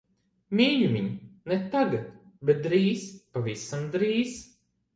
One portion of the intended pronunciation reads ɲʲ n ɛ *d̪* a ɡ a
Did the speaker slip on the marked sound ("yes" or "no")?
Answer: yes